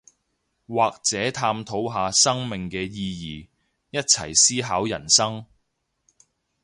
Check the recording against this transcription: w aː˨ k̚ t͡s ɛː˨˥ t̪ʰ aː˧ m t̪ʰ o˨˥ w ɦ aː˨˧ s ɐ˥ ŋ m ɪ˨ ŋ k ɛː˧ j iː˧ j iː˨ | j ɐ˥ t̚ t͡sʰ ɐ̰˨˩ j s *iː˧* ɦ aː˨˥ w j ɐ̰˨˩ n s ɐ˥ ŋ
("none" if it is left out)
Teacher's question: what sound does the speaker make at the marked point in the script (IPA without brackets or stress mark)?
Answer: iː˥